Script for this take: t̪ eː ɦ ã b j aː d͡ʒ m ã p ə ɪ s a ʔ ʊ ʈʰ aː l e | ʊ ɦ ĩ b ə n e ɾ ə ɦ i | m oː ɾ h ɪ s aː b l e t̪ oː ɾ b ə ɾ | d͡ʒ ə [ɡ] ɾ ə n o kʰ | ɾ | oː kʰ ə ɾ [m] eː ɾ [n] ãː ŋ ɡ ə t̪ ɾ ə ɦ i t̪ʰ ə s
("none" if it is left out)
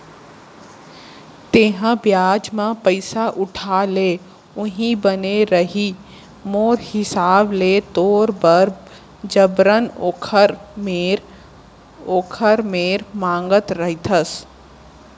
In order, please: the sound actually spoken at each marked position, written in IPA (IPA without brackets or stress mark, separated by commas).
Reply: b, m, m